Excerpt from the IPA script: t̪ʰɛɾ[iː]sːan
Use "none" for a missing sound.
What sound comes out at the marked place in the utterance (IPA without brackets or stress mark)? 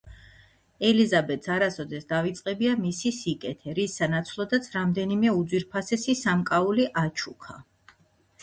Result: i